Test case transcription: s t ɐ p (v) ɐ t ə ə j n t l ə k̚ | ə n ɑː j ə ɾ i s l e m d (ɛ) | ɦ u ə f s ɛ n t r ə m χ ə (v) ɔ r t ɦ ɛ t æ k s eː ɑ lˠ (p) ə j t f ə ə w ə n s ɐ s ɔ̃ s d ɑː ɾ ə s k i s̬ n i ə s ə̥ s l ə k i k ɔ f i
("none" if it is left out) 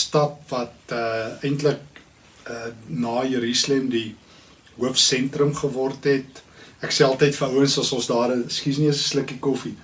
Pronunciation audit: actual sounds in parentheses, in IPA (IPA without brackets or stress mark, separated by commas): v, i, v, t